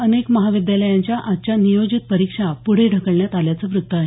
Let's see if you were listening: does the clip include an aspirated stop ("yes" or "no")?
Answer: no